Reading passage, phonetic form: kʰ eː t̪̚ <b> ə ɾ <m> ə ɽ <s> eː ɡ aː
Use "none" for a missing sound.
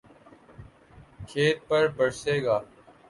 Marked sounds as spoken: p, b, s

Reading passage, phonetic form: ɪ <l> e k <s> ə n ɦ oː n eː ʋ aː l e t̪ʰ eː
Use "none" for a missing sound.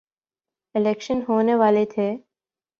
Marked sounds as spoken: l, ʃ

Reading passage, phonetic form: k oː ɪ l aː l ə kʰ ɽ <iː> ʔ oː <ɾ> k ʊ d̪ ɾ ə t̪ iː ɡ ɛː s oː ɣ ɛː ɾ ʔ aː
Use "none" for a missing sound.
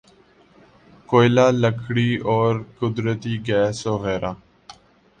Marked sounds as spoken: iː, ɾ

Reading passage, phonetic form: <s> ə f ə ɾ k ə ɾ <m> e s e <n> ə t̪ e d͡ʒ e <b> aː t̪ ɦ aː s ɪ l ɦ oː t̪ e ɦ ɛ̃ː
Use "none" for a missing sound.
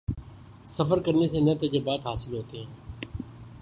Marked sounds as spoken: s, n, n, b

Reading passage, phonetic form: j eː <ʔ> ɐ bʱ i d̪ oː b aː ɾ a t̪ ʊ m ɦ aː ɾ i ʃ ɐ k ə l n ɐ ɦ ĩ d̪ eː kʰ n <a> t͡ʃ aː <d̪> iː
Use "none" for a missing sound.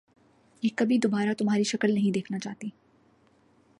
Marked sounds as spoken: k, a, t̪

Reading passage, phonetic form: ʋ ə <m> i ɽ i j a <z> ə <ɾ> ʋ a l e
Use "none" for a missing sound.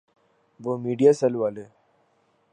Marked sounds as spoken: m, s, l

